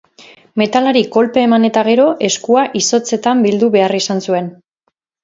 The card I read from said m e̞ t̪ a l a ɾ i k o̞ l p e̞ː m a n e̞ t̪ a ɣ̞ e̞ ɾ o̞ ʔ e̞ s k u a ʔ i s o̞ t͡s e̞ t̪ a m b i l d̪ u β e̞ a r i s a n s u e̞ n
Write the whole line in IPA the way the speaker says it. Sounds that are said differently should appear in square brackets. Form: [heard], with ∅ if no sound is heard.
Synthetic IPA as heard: m e̞ t̪ a l a ɾ i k o̞ l p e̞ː m a n e̞ t̪ a ɣ̞ e̞ ɾ o̞ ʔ e̞ s k u a ʔ i s o̞ t͡s e̞ t̪ a m b i l d̪ u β e̞ a r i s a n s u e̞ n